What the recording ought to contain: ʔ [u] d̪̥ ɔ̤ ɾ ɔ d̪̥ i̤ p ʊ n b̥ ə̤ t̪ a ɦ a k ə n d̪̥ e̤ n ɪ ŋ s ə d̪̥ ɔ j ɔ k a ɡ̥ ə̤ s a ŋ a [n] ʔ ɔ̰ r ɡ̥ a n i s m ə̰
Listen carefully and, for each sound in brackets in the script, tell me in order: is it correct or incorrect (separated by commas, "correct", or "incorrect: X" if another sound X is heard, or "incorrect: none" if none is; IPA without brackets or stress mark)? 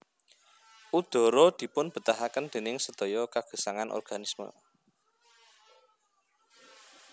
correct, correct